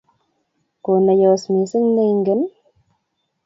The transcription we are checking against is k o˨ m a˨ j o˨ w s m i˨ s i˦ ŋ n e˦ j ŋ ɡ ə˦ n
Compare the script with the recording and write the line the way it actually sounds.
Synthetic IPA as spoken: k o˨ n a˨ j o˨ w s m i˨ s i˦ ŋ n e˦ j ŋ ɡ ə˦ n